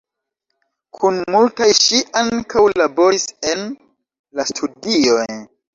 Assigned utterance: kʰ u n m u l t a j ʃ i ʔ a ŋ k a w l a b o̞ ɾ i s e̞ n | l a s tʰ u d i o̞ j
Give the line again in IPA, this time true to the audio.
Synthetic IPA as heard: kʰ u n m u l t a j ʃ i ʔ a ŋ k a w l a b o̞ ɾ i s e̞ n | l a s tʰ u d i o̞ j